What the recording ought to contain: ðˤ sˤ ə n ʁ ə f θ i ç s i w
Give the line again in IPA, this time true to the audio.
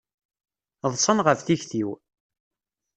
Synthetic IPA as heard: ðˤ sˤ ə n ʁ ə f θ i ç θ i w